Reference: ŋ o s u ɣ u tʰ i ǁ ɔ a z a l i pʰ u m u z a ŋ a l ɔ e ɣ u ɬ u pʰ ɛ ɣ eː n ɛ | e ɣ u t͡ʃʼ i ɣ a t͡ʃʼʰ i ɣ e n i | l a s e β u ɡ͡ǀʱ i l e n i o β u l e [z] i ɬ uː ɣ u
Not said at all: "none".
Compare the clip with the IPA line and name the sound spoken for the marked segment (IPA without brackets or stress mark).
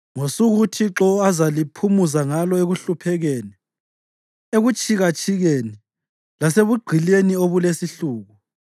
s